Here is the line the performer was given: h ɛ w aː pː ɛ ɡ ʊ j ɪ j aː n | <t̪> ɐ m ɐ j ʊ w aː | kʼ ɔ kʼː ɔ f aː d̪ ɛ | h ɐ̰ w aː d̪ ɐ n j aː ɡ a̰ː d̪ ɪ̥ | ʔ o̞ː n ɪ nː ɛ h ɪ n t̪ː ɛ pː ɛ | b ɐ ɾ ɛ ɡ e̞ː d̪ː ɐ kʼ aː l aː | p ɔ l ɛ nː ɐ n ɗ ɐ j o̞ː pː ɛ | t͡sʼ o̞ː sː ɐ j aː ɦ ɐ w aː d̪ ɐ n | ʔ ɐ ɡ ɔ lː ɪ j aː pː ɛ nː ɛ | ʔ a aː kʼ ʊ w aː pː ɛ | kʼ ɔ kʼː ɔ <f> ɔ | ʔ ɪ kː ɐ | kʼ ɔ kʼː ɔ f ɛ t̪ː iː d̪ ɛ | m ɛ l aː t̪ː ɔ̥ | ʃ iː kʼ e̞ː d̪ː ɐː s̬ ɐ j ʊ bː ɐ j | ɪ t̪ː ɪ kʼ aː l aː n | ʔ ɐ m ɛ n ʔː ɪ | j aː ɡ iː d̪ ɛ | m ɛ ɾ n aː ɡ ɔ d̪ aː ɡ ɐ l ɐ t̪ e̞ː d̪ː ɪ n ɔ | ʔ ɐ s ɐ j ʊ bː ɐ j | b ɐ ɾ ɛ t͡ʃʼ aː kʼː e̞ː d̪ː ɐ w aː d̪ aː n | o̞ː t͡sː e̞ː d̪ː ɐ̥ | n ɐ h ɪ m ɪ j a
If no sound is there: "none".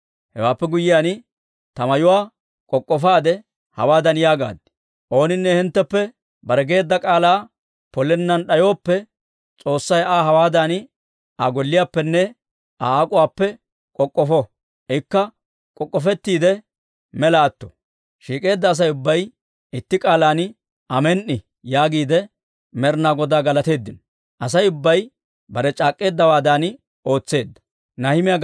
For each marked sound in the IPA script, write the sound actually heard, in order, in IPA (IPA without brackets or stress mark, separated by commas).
t̪, f